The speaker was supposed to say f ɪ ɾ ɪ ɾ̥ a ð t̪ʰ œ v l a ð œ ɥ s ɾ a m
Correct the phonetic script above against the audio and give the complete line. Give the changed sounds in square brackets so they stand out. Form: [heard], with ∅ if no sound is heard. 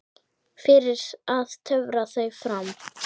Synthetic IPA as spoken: f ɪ ɾ ɪ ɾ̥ a ð t̪ʰ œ v [ɾ] a [θ] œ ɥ [f] ɾ a m